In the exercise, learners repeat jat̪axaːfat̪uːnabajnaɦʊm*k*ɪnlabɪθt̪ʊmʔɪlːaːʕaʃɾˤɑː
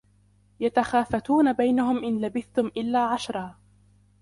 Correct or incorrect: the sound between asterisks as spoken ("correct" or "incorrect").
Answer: incorrect